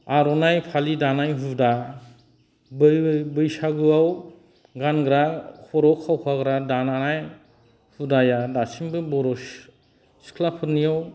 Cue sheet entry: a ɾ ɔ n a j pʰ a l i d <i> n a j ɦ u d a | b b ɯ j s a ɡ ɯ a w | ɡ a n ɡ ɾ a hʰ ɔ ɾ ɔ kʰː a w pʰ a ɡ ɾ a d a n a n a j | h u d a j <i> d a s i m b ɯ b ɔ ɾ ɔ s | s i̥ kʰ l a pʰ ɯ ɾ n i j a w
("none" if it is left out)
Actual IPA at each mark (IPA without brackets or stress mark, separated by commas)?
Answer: a, a